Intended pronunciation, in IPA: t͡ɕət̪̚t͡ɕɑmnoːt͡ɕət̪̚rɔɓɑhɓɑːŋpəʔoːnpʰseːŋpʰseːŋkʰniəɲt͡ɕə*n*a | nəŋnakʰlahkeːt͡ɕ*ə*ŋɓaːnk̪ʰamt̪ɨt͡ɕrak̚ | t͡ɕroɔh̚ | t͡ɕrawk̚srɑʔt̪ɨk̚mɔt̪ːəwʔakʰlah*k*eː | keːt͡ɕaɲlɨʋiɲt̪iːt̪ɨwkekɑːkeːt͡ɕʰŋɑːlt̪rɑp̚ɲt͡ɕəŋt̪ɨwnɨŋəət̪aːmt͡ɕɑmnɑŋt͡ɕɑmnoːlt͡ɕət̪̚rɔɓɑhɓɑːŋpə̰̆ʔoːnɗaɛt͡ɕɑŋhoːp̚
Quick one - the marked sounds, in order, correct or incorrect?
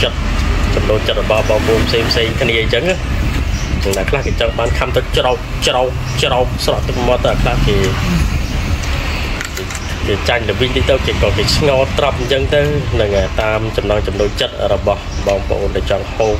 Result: incorrect: ŋ, incorrect: ɑ, correct

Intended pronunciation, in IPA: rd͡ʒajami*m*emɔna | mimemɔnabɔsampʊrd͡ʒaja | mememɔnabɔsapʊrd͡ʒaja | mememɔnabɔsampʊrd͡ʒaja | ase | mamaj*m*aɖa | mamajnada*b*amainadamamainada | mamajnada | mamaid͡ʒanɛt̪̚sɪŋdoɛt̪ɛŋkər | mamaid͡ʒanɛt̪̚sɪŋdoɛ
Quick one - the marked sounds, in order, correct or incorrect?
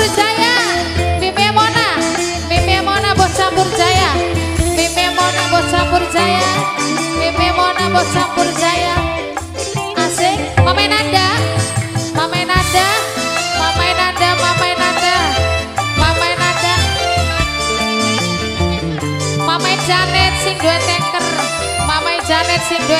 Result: correct, incorrect: n, incorrect: m

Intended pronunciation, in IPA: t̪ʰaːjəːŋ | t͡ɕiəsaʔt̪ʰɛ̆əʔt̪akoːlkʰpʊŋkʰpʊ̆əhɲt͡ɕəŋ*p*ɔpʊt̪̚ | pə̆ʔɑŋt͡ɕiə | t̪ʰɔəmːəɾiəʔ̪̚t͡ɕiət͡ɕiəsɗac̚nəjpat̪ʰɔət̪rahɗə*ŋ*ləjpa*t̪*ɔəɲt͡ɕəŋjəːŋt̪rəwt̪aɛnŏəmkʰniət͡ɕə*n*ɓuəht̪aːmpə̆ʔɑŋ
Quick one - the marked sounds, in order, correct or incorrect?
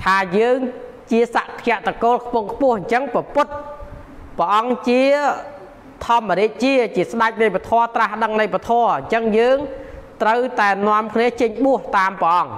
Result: correct, correct, incorrect: t̪ʰ, incorrect: ɲ

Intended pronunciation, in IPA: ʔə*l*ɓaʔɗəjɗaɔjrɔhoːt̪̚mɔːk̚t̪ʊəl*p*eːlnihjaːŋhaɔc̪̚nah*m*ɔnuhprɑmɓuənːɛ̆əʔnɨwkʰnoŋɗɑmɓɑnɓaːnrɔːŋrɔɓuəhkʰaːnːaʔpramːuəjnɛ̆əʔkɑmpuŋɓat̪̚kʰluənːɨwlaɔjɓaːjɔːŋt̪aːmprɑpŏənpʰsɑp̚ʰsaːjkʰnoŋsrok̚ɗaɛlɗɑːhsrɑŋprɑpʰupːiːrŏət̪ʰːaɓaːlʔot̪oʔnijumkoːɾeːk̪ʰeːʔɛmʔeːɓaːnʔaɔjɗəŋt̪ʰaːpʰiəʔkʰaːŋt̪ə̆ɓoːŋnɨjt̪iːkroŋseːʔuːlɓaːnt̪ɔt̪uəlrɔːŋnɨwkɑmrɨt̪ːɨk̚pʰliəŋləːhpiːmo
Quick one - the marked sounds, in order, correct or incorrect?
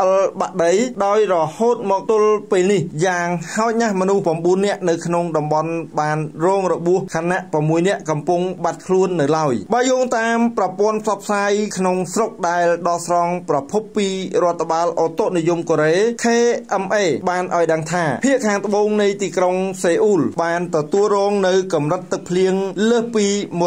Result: correct, correct, correct

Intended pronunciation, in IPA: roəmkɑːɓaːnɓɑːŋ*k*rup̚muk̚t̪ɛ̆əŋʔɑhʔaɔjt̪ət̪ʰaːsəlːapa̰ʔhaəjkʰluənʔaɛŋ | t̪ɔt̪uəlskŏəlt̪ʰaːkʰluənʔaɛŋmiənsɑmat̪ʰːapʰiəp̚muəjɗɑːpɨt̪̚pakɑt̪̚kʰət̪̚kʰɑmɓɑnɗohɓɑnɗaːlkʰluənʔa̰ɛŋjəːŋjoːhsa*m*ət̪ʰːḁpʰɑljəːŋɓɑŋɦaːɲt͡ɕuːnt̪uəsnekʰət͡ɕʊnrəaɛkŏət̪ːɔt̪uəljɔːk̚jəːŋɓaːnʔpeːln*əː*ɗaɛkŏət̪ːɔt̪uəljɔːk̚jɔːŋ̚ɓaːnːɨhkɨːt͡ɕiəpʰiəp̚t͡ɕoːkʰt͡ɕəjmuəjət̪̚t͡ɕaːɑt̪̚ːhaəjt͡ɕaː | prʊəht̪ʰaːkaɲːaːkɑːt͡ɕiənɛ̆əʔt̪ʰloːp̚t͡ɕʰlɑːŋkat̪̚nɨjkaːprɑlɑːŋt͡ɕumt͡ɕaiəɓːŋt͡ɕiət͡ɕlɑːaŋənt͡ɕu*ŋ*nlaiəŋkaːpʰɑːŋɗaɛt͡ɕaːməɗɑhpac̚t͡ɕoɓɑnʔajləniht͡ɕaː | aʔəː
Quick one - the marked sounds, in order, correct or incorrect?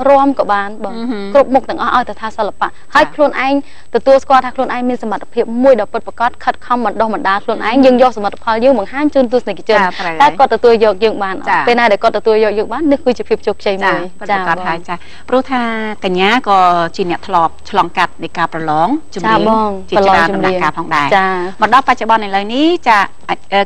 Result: correct, correct, incorrect: aː, incorrect: m

